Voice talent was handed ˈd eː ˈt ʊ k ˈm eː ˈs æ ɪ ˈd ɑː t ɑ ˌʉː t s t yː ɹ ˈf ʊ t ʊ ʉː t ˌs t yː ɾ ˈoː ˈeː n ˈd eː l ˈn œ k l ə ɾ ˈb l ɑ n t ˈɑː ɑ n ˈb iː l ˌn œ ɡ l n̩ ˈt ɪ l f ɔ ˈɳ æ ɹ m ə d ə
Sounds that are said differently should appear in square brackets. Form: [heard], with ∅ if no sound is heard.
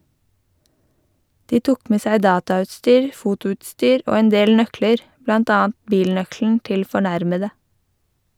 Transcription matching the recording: ˈd [iː] ˈt ʊ k ˈm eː ˈs æ ɪ ˈd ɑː t ɑ ˌʉː t s t yː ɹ ˈf ʊ t ʊ ʉː t ˌs t yː ɾ ˈoː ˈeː n ˈd eː l ˈn œ k l ə ɾ ˈb l ɑ n t ˈɑː ɑ n ˈb iː l ˌn œ [k] l n̩ ˈt ɪ l f ɔ ˈɳ æ [ɾ] m ə d ə